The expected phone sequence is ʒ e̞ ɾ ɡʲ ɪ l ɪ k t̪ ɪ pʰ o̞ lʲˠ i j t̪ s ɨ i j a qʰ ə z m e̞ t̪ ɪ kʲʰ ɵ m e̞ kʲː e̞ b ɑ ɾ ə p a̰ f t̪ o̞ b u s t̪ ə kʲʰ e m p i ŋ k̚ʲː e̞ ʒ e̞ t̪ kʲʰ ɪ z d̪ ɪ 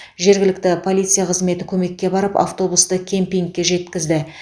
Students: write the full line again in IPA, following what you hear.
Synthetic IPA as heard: ʒ e̞ ɾ ɡʲ ɪ l ɪ k t̪ ɪ pʰ o̞ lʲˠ i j t̪ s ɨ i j a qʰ ə z m e̞ t̪ ɪ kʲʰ ɵ m e̞ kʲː e̞ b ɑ ɾ ə p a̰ f t̪ o̞ b u s t̪ ə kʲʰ e m p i ŋ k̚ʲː e̞ ʒ e̞ t̪ kʲ ɪ z d̪ ɪ